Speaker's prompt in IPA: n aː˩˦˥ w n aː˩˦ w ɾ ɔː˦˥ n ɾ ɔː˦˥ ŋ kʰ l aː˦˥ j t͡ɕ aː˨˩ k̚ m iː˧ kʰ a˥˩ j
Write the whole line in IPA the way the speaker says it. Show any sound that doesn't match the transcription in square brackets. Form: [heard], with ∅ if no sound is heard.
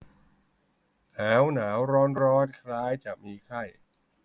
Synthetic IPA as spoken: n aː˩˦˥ w n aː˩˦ w ɾ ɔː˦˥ n ɾ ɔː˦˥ [n] kʰ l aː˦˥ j t͡ɕ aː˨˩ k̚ m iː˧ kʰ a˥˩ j